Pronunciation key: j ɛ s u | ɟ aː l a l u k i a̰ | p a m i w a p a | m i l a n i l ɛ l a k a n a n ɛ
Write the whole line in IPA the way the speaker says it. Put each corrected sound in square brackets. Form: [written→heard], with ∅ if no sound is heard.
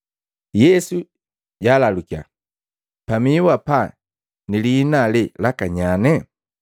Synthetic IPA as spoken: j ɛ s u | ɟ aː l a l u k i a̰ | p a m i w a p a | [m→n] i l [a→i] n [i→a] l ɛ l a k a [n→ɲ] a n ɛ